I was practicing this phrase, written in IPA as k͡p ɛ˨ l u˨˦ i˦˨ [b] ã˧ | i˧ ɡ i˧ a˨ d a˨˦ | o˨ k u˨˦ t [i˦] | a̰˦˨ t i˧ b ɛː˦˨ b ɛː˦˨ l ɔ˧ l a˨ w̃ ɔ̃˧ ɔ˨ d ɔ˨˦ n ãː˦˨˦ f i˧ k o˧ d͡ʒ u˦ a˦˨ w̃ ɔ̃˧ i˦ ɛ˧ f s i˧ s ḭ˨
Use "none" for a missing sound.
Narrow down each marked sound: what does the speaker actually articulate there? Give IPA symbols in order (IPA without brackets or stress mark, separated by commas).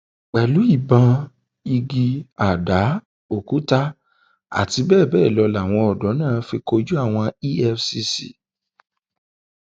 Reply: b, a˦